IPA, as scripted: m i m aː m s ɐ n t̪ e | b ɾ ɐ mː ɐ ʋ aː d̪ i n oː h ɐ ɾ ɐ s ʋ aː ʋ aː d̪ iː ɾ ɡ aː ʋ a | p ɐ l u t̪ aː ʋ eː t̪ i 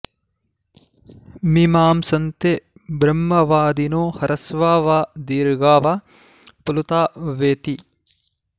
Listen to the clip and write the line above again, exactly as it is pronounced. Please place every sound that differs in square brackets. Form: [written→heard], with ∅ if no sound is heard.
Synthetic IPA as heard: m i m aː m s ɐ n t̪ e | b ɾ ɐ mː ɐ ʋ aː d̪ i n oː h ɐ ɾ ɐ s ʋ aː ʋ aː d̪ iː ɾ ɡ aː ʋ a | p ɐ l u t̪ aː ʋ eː t̪ i